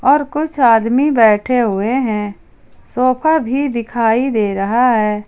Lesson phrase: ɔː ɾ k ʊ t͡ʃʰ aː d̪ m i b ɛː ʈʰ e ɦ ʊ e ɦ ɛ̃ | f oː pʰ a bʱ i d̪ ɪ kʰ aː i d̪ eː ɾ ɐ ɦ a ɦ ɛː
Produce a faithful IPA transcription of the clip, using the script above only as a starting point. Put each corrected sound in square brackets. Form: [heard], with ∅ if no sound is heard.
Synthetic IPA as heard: ɔː ɾ k ʊ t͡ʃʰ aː d̪ m i b ɛː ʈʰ e ɦ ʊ e ɦ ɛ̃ | [s] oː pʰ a bʱ i d̪ ɪ kʰ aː i d̪ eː ɾ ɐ ɦ a ɦ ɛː